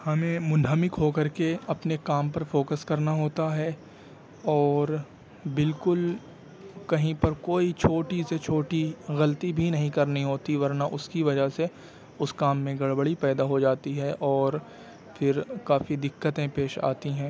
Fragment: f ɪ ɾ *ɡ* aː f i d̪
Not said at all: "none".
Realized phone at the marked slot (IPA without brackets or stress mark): k